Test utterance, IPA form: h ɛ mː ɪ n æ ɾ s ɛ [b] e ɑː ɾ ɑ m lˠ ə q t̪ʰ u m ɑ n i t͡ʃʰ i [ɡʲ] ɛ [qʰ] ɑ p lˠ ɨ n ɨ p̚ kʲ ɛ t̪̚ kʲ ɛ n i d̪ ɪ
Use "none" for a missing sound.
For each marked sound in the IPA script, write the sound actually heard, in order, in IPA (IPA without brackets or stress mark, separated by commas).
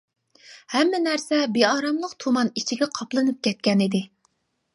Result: b, ɡʲ, qʰ